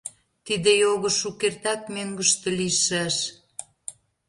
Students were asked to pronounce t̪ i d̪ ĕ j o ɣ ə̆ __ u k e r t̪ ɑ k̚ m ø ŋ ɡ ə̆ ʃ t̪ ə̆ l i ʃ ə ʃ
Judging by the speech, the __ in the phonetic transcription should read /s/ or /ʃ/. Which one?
ʃ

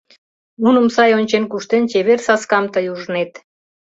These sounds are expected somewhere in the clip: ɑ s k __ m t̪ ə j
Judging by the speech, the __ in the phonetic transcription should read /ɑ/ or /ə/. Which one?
ɑ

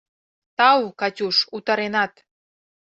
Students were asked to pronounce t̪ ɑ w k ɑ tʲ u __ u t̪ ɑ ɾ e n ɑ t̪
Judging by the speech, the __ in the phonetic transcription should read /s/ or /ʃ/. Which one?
ʃ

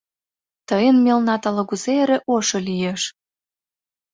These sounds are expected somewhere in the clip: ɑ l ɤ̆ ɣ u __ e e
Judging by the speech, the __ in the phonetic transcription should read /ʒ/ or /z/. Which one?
z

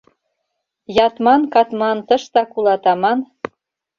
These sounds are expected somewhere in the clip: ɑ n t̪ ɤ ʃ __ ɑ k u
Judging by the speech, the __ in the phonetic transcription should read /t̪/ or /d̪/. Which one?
t̪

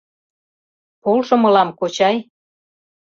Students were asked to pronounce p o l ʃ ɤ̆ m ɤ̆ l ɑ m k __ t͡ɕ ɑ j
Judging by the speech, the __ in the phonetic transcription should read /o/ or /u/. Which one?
o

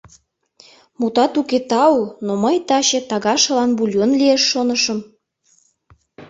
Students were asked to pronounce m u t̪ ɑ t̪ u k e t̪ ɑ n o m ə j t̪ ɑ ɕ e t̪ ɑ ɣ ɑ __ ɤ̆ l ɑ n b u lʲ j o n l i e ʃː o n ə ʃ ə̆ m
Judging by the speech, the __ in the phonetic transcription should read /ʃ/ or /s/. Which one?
ʃ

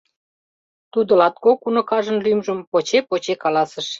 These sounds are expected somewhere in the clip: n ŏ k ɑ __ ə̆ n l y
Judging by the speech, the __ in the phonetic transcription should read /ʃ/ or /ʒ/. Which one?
ʒ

